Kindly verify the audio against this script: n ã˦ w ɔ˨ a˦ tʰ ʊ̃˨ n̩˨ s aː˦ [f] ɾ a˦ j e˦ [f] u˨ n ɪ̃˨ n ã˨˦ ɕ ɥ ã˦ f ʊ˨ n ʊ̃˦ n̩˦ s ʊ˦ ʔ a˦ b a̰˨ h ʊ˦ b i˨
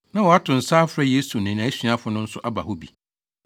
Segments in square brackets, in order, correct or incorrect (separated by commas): correct, incorrect